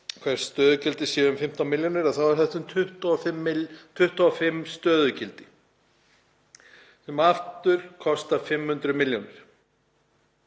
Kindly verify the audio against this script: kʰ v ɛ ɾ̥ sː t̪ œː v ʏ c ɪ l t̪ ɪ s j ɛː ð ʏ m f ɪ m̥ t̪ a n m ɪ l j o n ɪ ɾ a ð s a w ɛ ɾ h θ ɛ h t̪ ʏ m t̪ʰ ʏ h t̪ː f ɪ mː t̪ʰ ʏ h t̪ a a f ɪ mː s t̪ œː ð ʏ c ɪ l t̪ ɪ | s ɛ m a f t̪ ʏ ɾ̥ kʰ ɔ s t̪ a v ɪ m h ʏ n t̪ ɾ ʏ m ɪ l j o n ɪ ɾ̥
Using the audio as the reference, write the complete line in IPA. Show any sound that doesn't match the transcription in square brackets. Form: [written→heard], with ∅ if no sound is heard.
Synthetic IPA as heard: kʰ v ɛ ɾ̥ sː t̪ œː [v→ð] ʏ c ɪ l t̪ ɪ s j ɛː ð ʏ m f ɪ m̥ t̪ a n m ɪ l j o n ɪ ɾ a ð [s→θ] a w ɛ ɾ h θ ɛ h t̪ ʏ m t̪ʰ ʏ h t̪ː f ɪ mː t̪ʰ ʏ h t̪ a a f ɪ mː s t̪ œː ð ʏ c ɪ l t̪ ɪ | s ɛ m a f t̪ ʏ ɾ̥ kʰ ɔ s t̪ a [v→f] ɪ m h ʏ n t̪ ɾ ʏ m ɪ l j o n ɪ ɾ̥